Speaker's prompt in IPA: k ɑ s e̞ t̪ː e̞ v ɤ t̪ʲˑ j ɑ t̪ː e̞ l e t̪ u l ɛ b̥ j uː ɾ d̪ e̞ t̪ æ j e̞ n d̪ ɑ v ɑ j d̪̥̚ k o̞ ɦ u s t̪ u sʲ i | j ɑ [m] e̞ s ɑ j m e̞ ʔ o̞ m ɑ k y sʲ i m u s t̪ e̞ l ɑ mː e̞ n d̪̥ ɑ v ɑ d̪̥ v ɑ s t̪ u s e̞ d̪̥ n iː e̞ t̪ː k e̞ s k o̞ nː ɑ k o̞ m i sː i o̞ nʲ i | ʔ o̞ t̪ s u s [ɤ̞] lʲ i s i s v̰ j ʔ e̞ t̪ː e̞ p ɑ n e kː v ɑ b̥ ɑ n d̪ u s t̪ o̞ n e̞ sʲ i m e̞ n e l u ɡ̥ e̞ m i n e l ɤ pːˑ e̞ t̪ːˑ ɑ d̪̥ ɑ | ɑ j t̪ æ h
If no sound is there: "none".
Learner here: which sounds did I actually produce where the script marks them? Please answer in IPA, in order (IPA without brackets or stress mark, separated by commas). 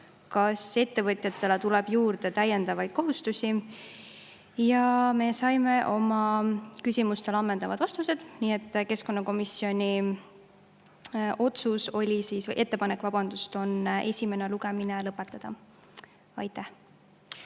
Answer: m, o̞